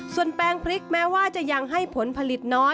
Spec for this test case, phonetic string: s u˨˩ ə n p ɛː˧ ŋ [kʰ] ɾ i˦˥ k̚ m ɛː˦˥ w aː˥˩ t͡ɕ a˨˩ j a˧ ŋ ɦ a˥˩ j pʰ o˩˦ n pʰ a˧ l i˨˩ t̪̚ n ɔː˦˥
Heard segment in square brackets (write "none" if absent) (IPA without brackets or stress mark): pʰ